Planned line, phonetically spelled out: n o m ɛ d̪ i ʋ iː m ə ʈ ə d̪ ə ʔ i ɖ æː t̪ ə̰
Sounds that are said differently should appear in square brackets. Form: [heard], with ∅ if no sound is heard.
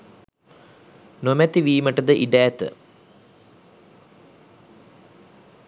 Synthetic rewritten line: n o m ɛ [t̪] i ʋ iː m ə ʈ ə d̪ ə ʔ i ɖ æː t̪ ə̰